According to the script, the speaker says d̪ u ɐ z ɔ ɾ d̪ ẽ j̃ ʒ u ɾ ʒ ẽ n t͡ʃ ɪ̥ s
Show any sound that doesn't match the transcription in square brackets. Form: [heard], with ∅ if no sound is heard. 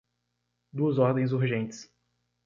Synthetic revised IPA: d̪ u ɐ z ɔ ɾ d̪ ẽ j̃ [z] u ɾ ʒ ẽ n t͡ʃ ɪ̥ s